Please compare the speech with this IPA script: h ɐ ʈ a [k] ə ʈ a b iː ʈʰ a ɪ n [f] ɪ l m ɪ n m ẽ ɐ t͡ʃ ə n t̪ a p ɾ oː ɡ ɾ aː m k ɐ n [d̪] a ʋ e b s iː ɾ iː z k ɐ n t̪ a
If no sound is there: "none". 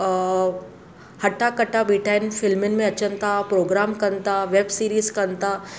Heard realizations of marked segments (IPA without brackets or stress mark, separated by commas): k, f, t̪